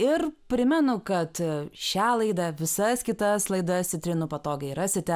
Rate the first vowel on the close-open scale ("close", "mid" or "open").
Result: close